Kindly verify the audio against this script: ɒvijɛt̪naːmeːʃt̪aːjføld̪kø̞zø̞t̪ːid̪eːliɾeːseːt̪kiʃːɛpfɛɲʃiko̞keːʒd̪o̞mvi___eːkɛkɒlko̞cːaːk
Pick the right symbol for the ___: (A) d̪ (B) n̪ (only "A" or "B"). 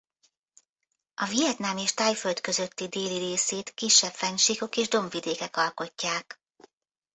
A